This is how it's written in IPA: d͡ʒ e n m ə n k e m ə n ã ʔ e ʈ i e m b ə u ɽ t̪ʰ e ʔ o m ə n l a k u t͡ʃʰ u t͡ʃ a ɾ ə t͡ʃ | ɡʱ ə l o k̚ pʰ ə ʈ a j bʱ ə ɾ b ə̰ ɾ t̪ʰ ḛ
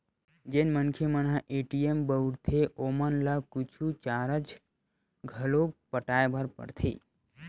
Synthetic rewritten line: d͡ʒ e n m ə n kʰ e m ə n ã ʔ e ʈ i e m b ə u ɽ t̪ʰ e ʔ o m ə n l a k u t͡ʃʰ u t͡ʃ a ɾ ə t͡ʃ | ɡʱ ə l o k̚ p ə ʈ a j bʱ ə ɾ p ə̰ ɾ t̪ʰ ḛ